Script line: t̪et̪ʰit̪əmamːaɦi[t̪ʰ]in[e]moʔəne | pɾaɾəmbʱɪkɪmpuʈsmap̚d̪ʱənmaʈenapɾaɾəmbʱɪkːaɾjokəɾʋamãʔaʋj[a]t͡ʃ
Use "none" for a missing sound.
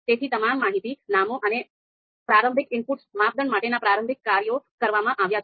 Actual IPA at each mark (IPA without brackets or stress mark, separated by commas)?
t̪, a, a